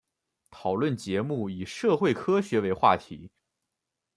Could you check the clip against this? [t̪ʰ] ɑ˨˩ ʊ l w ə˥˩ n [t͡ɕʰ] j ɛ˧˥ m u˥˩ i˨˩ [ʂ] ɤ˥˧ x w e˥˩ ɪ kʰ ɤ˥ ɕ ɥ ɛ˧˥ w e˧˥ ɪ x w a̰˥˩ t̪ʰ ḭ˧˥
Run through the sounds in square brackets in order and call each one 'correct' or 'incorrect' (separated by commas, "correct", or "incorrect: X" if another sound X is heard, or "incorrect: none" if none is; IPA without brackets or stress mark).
correct, incorrect: t͡ɕ, correct